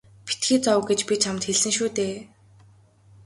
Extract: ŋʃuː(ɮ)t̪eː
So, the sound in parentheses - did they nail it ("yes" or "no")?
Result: no